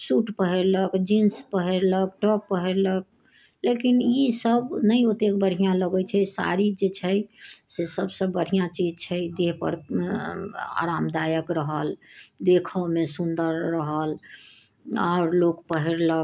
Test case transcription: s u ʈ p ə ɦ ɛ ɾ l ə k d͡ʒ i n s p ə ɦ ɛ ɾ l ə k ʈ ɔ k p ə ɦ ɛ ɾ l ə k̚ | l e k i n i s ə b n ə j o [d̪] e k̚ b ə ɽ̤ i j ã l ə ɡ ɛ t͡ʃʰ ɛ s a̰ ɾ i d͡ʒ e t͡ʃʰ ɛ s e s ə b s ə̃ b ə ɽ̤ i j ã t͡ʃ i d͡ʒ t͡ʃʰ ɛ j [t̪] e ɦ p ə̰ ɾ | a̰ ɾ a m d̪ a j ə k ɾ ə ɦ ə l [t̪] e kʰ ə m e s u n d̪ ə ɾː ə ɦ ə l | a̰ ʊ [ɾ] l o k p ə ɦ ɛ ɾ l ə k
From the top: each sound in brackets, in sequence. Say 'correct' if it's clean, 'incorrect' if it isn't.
incorrect: t̪, incorrect: d̪, incorrect: d̪, correct

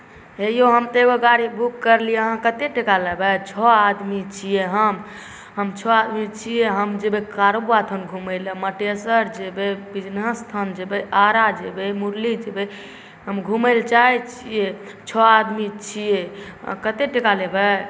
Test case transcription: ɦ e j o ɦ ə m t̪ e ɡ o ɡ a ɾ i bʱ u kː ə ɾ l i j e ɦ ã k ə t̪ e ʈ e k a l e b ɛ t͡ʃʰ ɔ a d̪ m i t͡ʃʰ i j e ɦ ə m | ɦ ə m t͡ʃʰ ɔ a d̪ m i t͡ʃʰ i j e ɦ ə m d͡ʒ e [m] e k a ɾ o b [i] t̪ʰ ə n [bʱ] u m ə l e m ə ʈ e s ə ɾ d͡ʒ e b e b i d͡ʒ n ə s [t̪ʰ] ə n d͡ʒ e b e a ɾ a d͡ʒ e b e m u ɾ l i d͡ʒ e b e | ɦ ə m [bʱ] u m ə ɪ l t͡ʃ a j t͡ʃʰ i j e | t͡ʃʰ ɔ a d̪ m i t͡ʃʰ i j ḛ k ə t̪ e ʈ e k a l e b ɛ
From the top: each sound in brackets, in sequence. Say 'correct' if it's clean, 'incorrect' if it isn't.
incorrect: b, incorrect: a, incorrect: ɡʱ, correct, incorrect: ɡʱ

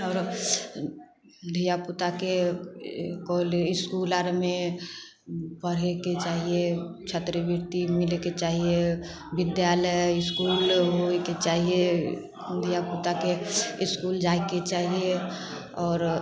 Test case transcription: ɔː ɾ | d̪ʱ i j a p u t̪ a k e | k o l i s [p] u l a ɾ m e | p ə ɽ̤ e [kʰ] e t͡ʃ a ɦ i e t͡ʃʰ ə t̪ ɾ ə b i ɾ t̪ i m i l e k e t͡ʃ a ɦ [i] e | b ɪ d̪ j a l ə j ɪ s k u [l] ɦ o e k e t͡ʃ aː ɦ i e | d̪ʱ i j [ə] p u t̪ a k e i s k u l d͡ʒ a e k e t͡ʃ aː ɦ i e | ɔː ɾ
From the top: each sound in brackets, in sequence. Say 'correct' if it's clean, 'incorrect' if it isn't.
incorrect: k, incorrect: k, correct, correct, incorrect: a

